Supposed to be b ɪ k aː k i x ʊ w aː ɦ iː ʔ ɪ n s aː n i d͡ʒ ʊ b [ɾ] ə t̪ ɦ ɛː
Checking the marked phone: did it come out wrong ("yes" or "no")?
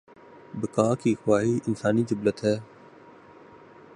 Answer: yes